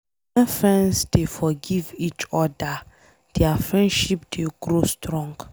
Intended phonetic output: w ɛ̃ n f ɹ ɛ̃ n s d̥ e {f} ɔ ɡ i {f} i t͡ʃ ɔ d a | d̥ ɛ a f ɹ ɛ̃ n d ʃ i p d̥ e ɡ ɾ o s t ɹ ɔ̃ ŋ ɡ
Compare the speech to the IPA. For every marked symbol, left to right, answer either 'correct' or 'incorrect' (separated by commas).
correct, incorrect